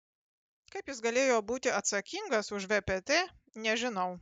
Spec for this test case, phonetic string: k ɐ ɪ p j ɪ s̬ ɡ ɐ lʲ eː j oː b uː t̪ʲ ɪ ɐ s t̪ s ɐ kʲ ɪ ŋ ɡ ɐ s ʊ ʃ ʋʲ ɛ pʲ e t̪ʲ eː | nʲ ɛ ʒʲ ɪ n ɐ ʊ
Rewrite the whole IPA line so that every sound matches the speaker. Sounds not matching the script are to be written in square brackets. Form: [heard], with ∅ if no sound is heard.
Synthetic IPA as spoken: k ɐ ɪ p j ɪ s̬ ɡ ɐ lʲ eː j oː b uː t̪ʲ ɪ ɐ [∅] t̪ s ɐ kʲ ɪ ŋ ɡ ɐ s ʊ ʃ ʋʲ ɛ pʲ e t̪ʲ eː | nʲ ɛ ʒʲ ɪ n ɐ ʊ

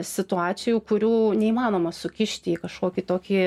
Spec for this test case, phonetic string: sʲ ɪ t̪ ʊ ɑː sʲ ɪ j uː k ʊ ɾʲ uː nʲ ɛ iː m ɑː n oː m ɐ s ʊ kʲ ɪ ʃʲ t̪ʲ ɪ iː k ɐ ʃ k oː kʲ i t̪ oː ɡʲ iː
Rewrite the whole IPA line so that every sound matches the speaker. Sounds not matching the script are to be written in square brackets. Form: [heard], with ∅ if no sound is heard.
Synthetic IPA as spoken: sʲ ɪ t̪ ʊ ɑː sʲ ɪ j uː k ʊ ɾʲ uː nʲ ɛ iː m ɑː n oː m ɐ s ʊ kʲ ɪ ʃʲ t̪ʲ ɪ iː k ɐ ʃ k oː kʲ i t̪ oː [kʲ] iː

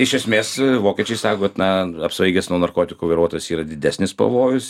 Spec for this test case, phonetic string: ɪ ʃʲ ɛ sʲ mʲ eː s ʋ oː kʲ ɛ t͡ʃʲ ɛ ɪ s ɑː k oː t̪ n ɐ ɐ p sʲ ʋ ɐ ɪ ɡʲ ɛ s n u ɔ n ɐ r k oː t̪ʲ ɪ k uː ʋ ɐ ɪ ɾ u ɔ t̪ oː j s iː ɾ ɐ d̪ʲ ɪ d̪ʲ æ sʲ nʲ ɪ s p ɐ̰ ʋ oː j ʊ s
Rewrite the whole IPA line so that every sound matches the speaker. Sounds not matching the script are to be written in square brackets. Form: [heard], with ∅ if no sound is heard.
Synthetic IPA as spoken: ɪ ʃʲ ɛ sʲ mʲ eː s ʋ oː kʲ ɛ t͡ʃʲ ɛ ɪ s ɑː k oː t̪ n ɐ ɐ p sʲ ʋ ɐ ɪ ɡʲ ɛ s n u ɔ n ɐ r k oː t̪ʲ ɪ k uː ʋ ɐ ɪ ɾ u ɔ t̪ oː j s iː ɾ ɐ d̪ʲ ɪ d̪ʲ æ sʲ nʲ ɪ s p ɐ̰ ʋ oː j ʊ s

